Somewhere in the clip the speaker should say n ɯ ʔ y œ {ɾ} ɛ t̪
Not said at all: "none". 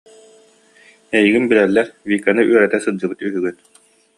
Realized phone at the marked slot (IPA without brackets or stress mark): ɾ